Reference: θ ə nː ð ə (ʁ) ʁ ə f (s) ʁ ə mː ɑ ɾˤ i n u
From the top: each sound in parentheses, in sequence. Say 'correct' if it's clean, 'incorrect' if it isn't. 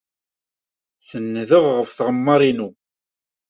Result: correct, incorrect: θ

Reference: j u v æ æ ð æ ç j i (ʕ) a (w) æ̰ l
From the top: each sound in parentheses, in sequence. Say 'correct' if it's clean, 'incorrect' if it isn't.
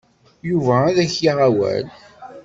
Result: incorrect: ʁ, correct

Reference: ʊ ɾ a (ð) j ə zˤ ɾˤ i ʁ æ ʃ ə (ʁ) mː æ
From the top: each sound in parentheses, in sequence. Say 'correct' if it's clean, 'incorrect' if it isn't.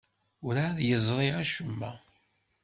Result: correct, incorrect: none

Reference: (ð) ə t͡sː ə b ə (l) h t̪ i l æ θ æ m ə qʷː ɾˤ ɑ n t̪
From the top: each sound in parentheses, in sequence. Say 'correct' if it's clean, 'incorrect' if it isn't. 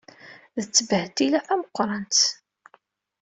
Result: correct, incorrect: none

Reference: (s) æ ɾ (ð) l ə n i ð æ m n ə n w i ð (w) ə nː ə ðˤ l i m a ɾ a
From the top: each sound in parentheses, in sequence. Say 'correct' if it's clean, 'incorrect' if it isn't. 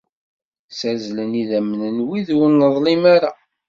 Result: correct, incorrect: z, correct

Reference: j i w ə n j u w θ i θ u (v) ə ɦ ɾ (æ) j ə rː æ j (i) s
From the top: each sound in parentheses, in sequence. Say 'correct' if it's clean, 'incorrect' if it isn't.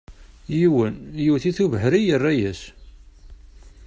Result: correct, incorrect: i, incorrect: æ

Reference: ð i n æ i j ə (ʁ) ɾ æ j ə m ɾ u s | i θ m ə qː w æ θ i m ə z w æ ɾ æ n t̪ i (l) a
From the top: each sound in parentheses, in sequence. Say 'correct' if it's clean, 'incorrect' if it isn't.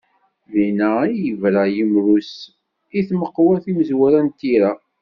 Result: incorrect: v, incorrect: ɾ

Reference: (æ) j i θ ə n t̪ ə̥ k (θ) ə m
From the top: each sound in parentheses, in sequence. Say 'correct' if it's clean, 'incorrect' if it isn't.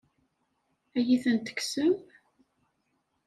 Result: correct, incorrect: s

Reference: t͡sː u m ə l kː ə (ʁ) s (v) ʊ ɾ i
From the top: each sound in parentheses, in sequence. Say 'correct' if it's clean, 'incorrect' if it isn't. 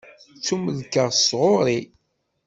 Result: correct, incorrect: ʁ

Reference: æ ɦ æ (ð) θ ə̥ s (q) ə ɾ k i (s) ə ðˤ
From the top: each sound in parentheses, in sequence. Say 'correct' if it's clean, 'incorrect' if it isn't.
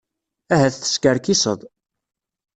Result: incorrect: θ, incorrect: k, correct

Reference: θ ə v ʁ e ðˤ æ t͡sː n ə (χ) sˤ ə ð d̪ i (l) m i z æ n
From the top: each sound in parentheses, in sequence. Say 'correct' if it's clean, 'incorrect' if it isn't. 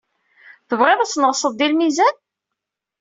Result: incorrect: ʁ, correct

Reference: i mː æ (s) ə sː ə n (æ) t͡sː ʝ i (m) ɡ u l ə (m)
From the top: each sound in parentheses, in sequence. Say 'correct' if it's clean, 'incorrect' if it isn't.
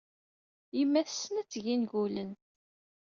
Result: incorrect: θ, correct, incorrect: n, incorrect: n

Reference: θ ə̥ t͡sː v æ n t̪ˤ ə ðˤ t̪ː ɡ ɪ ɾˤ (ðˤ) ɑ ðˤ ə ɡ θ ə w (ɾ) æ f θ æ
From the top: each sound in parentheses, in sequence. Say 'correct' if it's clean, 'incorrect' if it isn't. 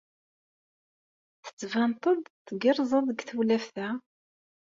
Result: incorrect: zˤ, incorrect: l

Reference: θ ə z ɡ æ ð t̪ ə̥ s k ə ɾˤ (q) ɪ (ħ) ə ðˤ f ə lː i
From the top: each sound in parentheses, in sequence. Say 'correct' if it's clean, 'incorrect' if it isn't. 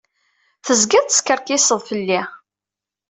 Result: incorrect: k, incorrect: s

